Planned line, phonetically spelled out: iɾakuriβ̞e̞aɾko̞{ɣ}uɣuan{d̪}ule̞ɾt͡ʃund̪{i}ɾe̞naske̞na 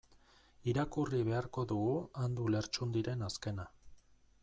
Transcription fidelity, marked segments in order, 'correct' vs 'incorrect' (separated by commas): incorrect, correct, correct